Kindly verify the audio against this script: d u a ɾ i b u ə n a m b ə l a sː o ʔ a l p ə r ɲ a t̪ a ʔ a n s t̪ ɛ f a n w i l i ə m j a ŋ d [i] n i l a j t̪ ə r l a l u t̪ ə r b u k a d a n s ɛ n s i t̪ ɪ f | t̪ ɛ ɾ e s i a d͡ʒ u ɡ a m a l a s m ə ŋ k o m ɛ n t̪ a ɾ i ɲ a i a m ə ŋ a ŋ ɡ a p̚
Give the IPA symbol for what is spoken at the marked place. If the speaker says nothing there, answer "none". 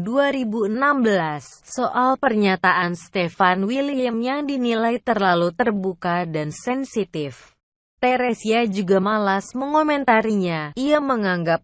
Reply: i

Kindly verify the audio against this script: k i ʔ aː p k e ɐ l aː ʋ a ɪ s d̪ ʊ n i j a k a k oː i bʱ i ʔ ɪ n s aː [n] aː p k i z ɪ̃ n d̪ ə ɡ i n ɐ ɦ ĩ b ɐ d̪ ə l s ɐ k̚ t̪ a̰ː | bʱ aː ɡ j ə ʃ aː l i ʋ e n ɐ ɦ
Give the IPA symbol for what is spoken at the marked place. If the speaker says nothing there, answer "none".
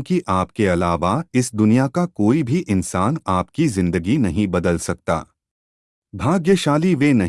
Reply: n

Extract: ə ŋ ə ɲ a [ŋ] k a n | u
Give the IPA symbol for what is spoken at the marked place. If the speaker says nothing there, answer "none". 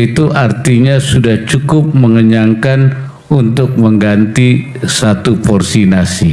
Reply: ŋ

